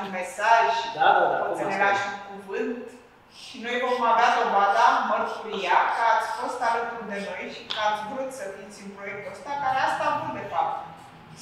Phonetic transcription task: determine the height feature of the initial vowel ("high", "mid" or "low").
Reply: mid